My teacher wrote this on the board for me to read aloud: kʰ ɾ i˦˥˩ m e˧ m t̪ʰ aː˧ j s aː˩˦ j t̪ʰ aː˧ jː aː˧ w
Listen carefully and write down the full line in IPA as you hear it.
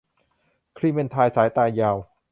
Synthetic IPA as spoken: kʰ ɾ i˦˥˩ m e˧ n t̪ʰ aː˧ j s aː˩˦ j t̪ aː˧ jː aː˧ w